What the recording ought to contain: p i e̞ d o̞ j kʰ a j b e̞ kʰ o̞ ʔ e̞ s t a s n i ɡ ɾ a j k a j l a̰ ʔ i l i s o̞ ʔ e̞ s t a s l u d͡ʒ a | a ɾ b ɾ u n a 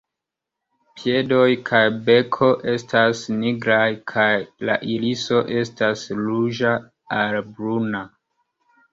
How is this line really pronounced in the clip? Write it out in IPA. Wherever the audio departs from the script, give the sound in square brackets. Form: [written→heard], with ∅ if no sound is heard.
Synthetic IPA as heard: p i e̞ d o̞ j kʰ a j b e̞ kʰ o̞ ʔ e̞ s t a s n i ɡ ɾ a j [k→kʰ] a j l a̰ ʔ i l i s o̞ ʔ e̞ s t a s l u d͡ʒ a | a [ɾ→l] b ɾ u n a